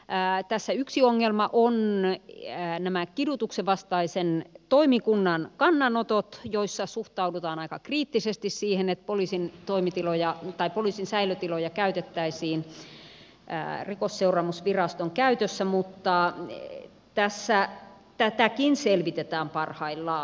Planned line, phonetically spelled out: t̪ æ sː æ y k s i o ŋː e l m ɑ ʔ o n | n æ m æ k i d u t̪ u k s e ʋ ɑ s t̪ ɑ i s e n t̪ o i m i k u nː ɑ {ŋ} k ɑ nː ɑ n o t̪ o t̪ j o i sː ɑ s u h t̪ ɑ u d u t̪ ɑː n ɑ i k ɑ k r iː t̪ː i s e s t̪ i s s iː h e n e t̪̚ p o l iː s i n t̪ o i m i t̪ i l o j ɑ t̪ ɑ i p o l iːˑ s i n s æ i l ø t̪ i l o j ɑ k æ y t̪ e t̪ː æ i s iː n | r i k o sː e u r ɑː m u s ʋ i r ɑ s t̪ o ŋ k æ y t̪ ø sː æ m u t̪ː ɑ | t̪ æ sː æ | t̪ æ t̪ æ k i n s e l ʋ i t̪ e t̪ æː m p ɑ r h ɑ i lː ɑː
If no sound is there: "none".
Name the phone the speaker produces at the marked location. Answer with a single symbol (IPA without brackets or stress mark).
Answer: n